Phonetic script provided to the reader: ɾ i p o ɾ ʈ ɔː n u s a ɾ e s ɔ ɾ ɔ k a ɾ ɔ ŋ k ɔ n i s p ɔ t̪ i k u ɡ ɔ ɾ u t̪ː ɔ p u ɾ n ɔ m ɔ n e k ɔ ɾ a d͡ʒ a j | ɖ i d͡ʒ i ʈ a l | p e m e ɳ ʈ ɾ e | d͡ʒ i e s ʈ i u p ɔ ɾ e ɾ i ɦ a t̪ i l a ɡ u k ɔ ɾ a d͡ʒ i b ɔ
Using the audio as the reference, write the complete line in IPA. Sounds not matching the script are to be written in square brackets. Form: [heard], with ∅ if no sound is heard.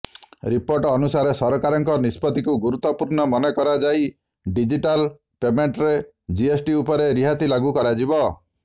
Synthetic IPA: ɾ i p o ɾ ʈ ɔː n u s a ɾ e s ɔ ɾ ɔ k a ɾ ɔ ŋ k ɔ n i s p ɔ t̪ i k u ɡ [u] ɾ u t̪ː ɔ p u ɾ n ɔ m ɔ n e k ɔ ɾ a d͡ʒ a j | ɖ i d͡ʒ i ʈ a l | p e m e ɳ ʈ ɾ e | d͡ʒ i e s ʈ i u p ɔ ɾ e ɾ i ɦ a t̪ i l a ɡ u k ɔ ɾ a d͡ʒ i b ɔ